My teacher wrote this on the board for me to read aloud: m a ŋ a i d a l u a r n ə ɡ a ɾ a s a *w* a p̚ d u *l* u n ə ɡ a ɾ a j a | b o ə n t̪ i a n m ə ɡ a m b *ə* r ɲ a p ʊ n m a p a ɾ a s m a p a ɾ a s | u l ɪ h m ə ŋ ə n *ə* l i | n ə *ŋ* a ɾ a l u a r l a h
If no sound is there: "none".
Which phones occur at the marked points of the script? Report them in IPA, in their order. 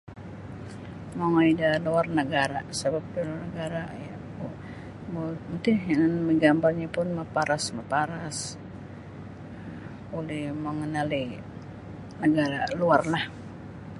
b, l, a, a, ɡ

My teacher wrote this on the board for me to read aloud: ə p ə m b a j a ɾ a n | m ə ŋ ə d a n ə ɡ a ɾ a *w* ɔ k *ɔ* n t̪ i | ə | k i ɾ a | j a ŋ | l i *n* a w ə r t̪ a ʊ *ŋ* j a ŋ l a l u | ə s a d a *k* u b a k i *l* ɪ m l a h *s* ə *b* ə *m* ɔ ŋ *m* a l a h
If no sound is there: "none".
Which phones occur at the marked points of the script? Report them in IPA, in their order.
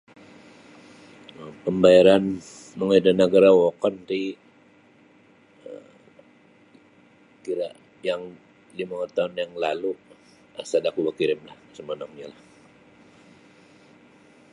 w, ɔ, m, n, k, ɾ, s, m, n, ɲ

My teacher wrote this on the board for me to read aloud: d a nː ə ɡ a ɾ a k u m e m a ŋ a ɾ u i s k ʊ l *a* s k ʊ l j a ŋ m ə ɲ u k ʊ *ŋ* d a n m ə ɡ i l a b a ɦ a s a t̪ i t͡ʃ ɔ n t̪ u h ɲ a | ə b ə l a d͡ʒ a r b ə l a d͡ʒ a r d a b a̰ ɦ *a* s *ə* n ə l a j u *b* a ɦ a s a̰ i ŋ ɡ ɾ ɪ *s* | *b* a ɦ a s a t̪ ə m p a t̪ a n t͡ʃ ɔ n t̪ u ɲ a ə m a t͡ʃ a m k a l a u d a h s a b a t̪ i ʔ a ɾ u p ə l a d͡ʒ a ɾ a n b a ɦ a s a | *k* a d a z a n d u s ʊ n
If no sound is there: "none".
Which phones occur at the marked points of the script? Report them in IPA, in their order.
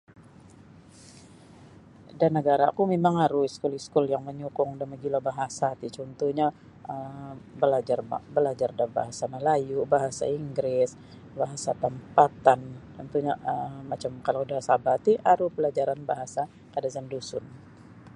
i, ŋ, a, a, b, s, b, k

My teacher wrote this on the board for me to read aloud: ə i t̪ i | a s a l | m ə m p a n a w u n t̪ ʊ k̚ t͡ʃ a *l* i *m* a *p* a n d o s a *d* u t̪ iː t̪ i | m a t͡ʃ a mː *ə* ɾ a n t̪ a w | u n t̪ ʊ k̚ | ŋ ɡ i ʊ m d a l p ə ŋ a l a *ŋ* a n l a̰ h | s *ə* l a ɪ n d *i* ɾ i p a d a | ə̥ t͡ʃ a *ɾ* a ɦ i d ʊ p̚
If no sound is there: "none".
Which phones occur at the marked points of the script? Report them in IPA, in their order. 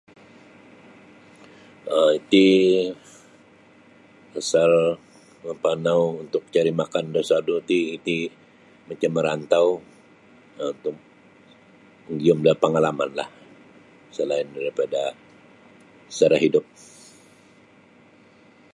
ɾ, m, k, d, ə, m, ə, a, ɾ

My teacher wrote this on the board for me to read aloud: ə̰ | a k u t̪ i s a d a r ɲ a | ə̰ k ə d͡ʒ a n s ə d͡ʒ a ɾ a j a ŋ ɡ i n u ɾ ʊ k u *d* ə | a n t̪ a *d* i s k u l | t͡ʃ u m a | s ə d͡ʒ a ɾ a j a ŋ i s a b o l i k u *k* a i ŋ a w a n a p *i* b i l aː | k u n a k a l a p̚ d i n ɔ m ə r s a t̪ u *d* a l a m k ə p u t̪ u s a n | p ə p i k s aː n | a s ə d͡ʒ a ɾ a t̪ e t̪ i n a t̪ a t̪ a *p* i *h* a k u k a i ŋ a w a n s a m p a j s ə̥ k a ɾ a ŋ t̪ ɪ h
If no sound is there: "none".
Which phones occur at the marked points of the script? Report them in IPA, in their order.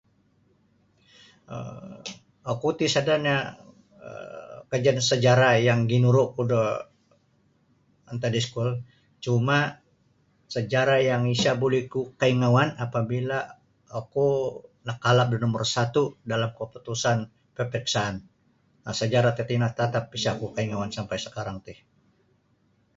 d, d, k, a, d, p, s

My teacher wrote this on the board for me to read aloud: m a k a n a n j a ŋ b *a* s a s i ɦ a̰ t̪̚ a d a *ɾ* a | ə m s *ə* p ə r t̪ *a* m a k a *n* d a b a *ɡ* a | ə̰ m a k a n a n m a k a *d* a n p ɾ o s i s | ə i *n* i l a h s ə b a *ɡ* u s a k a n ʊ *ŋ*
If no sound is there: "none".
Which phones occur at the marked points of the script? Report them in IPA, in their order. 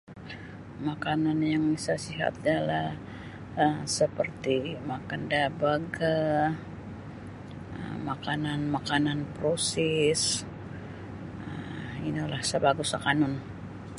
i, l, ə, i, n, ɡ, n, n, ɡ, n

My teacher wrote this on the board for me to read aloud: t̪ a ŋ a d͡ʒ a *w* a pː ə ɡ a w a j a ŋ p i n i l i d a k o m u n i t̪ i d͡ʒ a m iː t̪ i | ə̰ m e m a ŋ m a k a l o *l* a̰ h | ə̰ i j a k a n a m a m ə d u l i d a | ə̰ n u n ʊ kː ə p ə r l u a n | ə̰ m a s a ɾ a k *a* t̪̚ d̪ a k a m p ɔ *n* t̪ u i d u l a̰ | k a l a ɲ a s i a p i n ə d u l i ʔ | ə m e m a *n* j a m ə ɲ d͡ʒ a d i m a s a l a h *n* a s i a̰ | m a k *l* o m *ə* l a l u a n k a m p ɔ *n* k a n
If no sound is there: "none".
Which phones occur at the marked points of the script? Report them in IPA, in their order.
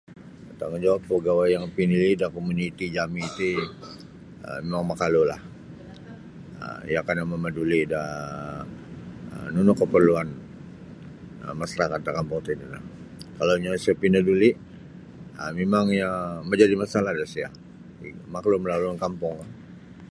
w, l, a, ŋ, ŋ, d, l, ə, ŋ

